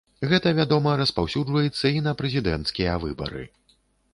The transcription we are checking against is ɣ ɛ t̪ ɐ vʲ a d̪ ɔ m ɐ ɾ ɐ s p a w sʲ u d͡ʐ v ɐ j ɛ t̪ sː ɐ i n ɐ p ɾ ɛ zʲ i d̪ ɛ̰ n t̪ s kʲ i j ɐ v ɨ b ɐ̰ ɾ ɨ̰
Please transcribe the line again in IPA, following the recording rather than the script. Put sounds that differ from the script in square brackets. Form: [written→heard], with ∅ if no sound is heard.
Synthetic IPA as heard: ɣ ɛ t̪ ɐ vʲ a d̪ ɔ m ɐ ɾ ɐ s p a w sʲ u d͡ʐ v ɐ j ɛ t̪ sː ɐ i n ɐ p ɾ ɛ zʲ i d̪ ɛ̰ n t̪ s kʲ i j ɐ v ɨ b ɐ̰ ɾ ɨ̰